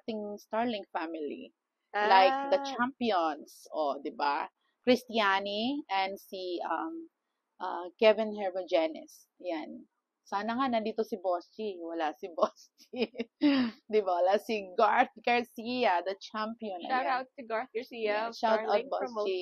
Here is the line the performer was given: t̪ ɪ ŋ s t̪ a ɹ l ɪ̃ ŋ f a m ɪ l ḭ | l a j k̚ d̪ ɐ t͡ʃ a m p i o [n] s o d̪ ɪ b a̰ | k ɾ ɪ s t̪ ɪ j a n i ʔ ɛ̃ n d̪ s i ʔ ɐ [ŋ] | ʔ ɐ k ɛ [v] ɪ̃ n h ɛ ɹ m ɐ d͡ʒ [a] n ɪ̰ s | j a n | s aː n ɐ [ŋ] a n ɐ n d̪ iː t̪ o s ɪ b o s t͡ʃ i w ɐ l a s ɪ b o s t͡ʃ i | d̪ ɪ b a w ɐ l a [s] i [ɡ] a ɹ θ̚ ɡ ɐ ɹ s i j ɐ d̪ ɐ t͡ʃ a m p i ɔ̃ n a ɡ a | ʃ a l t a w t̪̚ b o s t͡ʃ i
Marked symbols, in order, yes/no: yes, no, yes, no, yes, yes, yes

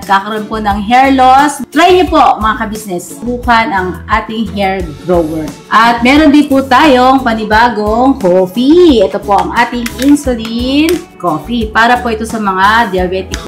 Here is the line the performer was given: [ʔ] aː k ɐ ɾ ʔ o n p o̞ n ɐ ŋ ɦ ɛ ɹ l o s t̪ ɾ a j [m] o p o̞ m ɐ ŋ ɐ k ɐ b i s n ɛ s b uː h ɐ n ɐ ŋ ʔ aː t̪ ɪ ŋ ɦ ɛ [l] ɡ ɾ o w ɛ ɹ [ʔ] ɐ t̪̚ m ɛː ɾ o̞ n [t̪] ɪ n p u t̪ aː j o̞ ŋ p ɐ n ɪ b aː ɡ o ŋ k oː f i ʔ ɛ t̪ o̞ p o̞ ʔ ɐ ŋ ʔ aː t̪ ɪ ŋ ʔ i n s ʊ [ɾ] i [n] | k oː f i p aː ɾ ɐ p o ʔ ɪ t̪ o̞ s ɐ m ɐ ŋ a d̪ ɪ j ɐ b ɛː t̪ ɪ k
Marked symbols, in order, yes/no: no, no, no, yes, no, no, yes

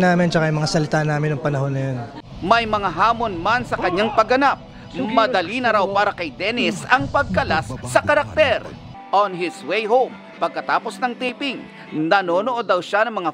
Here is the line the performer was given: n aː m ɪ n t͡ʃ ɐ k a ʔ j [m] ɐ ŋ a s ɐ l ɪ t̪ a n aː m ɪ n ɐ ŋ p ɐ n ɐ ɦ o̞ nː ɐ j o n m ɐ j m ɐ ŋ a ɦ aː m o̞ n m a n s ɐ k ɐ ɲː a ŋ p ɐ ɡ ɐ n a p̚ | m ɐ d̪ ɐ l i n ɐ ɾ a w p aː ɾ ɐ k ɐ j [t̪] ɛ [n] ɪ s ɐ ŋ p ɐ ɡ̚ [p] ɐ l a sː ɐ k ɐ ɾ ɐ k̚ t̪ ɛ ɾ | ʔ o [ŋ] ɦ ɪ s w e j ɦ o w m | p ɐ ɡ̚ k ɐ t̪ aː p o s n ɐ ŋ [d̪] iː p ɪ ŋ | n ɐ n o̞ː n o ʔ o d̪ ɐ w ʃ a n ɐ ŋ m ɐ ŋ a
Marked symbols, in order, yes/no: yes, no, yes, no, no, no

